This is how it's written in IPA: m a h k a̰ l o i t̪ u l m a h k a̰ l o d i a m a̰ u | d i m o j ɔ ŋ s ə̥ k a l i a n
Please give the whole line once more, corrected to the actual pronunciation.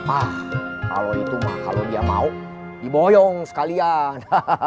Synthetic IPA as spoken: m a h k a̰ l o i t̪ u m a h k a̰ l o d i a m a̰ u | d i b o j ɔ ŋ s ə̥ k a l i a n